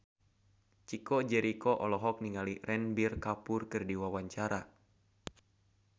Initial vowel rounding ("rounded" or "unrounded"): unrounded